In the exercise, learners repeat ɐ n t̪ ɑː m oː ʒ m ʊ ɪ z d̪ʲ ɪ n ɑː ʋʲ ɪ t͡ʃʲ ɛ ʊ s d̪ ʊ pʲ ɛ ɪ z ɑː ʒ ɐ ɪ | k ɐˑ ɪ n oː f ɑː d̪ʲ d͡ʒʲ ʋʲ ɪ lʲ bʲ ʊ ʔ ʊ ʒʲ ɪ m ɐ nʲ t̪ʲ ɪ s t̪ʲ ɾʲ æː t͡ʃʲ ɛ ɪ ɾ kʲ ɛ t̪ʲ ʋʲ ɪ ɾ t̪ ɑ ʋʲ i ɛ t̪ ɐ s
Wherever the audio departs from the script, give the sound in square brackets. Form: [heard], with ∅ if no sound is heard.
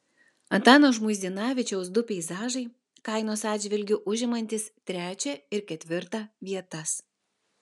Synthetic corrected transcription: ɐ n t̪ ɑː [n] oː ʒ m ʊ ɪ z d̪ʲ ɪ n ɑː ʋʲ ɪ t͡ʃʲ ɛ ʊ s d̪ ʊ pʲ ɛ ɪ z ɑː ʒ ɐ ɪ | k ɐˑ ɪ n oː [s] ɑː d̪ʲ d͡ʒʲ ʋʲ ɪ lʲ [ɡʲ] ʊ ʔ ʊ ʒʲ ɪ m ɐ nʲ t̪ʲ ɪ s t̪ʲ ɾʲ æː t͡ʃʲ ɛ ɪ ɾ kʲ ɛ t̪ʲ ʋʲ ɪ ɾ t̪ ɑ ʋʲ i ɛ t̪ ɐ s